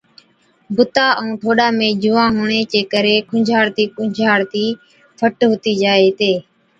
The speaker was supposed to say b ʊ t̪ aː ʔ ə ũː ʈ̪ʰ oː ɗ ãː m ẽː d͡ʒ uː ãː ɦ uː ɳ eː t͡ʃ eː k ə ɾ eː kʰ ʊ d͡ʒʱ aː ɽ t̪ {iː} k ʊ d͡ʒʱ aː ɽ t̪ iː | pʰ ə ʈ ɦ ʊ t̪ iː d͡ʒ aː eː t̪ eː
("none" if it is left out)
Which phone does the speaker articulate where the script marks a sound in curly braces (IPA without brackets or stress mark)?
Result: iː